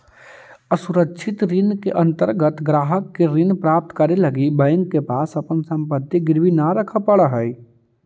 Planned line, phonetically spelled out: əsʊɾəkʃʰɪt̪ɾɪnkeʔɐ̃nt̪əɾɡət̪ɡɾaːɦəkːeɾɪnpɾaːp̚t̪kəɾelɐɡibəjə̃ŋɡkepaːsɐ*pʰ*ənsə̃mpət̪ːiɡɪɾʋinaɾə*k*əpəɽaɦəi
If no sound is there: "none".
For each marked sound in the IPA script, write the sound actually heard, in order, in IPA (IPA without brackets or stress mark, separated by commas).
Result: p, kʰ